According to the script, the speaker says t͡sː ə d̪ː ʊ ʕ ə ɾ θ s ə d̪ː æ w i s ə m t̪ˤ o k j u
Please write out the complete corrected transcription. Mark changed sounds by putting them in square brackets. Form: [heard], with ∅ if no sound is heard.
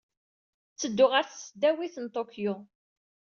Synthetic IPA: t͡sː ə d̪ː ʊ [ʁ] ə ɾ θ s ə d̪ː æ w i [θ] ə [n] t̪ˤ o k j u